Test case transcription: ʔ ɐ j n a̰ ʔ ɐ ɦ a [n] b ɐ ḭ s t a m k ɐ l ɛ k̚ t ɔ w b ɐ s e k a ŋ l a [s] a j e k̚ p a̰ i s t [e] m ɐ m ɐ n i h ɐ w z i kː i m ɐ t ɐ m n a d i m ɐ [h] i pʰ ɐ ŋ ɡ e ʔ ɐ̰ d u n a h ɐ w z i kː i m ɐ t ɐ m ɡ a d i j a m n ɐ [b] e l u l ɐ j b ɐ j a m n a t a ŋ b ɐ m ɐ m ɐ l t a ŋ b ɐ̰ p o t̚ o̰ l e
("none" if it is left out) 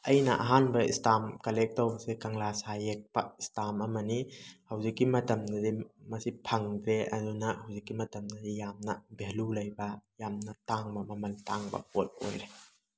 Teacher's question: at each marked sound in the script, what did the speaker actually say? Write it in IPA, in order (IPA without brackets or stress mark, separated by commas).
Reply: n, s, a, s, b